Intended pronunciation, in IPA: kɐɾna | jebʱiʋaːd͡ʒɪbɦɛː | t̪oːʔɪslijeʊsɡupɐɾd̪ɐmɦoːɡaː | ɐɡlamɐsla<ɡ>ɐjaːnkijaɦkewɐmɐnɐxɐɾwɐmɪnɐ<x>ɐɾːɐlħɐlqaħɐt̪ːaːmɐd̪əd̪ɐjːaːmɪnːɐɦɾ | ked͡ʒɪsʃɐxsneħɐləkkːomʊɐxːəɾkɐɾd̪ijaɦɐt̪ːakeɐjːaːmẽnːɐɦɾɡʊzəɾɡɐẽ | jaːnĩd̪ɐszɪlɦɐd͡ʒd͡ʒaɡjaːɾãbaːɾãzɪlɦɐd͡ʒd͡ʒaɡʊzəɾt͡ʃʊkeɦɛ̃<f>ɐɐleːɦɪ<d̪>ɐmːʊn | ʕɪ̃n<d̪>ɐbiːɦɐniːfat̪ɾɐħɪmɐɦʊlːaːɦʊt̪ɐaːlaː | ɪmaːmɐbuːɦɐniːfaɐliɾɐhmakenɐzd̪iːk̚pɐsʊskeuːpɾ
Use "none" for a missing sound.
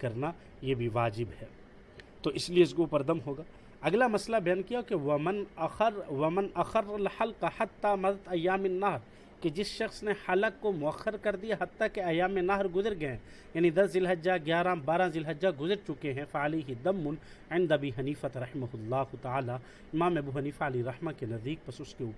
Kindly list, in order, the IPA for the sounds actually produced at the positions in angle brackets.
b, x, f, d̪, d̪

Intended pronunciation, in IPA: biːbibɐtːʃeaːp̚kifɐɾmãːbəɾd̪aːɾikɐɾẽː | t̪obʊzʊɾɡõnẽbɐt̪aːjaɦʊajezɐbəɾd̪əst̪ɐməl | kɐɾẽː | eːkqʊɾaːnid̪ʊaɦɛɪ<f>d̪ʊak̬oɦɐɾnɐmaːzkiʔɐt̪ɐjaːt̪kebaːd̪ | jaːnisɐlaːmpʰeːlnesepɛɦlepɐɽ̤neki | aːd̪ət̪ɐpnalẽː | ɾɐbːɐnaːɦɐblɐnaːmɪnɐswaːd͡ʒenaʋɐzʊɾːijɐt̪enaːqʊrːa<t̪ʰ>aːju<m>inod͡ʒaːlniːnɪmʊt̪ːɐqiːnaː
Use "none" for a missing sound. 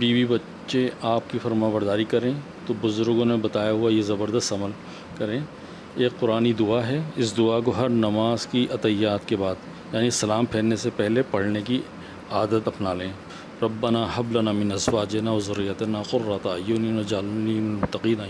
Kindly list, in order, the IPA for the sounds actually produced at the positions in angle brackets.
s, t̪, n

